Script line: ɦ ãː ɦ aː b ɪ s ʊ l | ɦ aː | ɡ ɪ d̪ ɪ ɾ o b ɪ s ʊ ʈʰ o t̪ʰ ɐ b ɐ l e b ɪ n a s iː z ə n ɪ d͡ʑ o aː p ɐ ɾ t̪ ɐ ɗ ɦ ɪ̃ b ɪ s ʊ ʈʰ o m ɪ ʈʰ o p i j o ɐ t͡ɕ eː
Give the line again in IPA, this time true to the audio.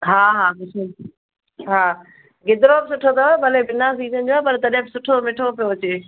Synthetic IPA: ɦ aː ɦ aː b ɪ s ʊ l | ɦ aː | ɡ ɪ d̪ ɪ ɾ o b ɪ s ʊ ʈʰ o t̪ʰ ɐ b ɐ l e b ɪ n a s iː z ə n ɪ d͡ʑ o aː p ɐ ɾ t̪ ɐ ɗ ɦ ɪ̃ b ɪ s ʊ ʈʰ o m ɪ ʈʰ o p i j o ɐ t͡ɕ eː